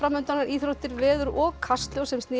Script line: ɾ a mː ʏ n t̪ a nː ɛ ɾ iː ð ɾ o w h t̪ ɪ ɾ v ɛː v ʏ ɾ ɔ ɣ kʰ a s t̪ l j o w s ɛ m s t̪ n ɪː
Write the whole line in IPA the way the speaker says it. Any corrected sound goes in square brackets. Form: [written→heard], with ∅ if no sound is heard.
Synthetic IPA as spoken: ɾ a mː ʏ n t̪ a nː [ɛ→a] ɾ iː [ð→θ] ɾ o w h t̪ ɪ ɾ v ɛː [v→ð] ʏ ɾ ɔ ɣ kʰ a s t̪ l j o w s ɛ m s t̪ n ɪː